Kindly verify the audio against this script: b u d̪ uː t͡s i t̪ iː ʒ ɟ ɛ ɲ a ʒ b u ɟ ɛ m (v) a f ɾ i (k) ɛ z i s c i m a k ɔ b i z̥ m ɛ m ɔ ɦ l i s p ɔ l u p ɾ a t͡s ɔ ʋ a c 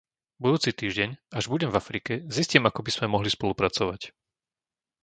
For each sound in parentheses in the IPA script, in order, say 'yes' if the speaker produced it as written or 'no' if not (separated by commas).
yes, yes